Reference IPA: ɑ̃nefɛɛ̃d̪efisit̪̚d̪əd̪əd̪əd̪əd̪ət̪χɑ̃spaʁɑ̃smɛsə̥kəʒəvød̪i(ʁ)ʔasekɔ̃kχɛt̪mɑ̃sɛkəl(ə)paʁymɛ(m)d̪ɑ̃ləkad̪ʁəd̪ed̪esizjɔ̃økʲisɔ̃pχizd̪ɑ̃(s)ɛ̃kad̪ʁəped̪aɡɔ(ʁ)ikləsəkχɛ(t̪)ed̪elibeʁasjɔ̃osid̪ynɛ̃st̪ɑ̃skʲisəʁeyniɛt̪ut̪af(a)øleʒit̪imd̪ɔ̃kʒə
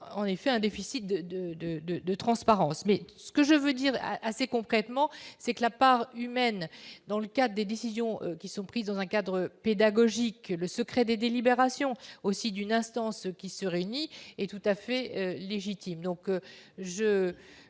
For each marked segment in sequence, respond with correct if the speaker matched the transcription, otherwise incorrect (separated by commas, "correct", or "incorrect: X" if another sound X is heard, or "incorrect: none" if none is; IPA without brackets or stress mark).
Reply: correct, incorrect: a, incorrect: n, incorrect: z, incorrect: ʒ, incorrect: d̪, incorrect: ɛ